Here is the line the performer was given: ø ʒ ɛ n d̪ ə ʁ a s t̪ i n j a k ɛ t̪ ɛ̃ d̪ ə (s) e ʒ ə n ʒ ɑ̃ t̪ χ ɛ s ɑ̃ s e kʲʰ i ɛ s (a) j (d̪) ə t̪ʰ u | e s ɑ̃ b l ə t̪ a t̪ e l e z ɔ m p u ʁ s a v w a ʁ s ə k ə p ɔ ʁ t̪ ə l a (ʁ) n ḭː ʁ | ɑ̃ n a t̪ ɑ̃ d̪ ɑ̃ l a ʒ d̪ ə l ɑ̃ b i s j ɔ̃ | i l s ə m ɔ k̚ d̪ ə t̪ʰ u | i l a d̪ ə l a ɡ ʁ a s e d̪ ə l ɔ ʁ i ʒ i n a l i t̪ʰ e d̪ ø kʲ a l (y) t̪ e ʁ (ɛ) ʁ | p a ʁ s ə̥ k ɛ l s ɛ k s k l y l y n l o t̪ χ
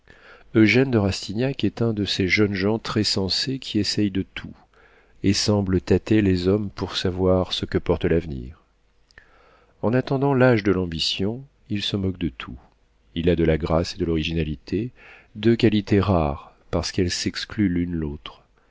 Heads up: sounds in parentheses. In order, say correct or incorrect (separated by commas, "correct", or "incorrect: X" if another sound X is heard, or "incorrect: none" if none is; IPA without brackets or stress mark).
correct, incorrect: ɛ, correct, incorrect: v, incorrect: i, incorrect: a